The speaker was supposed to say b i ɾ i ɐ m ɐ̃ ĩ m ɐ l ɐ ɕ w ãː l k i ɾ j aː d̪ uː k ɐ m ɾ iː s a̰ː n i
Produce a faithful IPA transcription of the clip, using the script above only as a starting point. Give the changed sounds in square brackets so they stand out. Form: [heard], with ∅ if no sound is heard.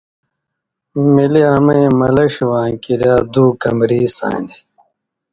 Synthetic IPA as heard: [m] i [l] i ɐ m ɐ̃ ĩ m ɐ l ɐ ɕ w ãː [∅] k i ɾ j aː d̪ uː k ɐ m ɾ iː s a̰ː n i

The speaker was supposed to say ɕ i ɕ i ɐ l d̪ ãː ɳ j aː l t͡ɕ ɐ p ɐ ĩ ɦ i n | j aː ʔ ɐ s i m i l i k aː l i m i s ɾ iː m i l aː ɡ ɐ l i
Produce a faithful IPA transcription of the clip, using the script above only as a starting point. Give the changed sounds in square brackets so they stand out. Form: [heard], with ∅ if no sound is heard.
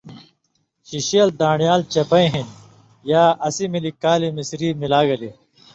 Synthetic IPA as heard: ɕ i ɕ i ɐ l d̪ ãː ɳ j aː l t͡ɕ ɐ p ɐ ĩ ɦ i n | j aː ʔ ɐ s i m i l i k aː l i m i s ɾ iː m i l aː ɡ ɐ l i

